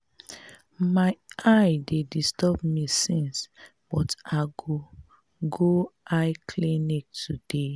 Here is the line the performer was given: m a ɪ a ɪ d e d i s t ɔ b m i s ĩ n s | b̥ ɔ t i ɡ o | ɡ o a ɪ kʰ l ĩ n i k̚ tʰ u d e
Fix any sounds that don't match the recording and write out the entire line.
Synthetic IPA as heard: m a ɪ a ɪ d e d i s t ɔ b m i s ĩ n s | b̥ ɔ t a ɡ o | ɡ o a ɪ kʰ l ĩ n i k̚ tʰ u d e